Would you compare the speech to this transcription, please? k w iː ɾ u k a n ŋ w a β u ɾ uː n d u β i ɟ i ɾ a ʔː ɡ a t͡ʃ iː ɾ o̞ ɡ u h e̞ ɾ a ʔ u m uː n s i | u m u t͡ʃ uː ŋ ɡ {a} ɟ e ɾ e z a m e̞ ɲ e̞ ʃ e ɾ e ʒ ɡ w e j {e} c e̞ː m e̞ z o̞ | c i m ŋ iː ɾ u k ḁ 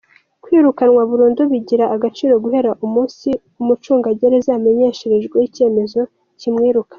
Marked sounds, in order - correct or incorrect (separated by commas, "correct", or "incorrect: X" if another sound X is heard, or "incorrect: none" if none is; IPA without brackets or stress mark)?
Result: correct, incorrect: i